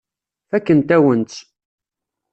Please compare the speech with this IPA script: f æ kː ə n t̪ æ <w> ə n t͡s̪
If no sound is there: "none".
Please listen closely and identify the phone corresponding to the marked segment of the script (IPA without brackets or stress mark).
w